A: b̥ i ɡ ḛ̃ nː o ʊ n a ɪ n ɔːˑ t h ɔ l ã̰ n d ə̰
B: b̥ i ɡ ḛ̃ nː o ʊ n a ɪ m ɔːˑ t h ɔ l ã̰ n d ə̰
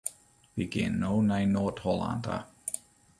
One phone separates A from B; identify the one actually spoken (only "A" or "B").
A